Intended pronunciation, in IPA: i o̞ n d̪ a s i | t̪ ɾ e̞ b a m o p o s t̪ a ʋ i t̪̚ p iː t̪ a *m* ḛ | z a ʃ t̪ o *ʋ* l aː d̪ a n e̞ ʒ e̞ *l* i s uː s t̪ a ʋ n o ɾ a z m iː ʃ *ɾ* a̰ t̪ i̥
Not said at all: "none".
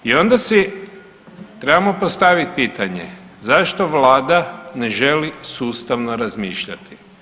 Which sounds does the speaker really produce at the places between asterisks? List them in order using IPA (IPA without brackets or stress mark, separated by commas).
ɲ, ʋ, l, ʎ